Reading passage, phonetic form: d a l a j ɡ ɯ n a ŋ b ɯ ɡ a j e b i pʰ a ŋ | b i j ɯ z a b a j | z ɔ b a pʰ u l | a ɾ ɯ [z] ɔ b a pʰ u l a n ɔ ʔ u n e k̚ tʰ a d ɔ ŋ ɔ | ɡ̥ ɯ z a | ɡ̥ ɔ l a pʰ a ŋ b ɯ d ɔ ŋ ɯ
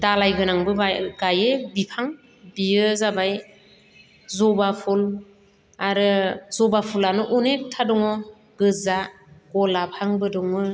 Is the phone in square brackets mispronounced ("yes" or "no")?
no